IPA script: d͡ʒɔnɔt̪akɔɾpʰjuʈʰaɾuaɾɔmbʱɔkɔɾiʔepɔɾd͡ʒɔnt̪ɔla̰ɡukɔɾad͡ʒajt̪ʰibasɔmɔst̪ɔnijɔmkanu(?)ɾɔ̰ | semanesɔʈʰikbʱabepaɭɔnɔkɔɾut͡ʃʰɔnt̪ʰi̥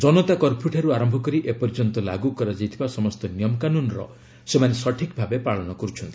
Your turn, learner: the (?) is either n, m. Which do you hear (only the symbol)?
n